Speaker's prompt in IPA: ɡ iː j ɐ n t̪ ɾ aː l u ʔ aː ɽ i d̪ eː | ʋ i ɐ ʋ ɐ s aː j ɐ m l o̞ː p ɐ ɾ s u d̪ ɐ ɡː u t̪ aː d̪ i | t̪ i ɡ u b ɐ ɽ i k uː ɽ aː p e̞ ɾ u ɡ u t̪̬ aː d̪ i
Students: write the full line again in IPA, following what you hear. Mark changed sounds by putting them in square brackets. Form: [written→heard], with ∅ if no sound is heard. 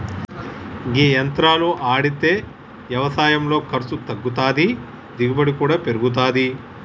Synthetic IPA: ɡ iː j ɐ n t̪ ɾ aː l u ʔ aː ɽ i [d̪→t̪] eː | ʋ [i→j] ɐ ʋ ɐ s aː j ɐ m l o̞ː [p→k] ɐ ɾ s u [d̪→t̪] ɐ ɡː u t̪ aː d̪ i | [t̪→d̪] i ɡ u b ɐ ɽ i k uː ɽ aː p e̞ ɾ u ɡ u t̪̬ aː d̪ i